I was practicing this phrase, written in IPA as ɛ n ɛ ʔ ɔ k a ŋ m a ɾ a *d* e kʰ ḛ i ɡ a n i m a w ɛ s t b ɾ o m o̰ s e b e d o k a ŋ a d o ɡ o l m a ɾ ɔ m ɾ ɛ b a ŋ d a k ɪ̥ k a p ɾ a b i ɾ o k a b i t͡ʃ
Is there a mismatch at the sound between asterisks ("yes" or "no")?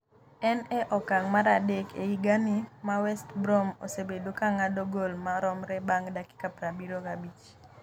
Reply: no